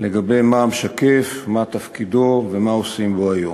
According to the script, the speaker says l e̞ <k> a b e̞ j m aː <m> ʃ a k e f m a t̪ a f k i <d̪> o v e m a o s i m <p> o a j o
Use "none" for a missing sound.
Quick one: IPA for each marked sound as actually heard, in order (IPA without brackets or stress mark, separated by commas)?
ɡ, m, d̪, b